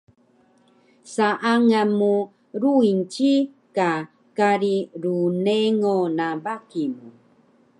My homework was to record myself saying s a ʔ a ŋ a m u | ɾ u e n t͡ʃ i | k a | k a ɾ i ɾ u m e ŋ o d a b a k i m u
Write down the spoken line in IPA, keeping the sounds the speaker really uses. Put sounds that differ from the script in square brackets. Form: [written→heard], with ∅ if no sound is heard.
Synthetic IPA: s a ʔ a ŋ a m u | ɾ u [e→i] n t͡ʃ i | k a | k a ɾ i ɾ u [m→n] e ŋ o [d→n] a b a k i m u